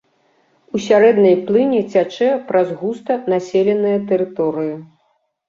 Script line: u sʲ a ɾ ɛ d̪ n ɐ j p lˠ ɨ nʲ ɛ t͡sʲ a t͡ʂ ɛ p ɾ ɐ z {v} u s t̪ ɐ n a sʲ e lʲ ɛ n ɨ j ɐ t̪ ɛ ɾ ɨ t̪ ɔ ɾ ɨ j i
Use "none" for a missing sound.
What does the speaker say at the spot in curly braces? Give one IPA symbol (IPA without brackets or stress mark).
ɣ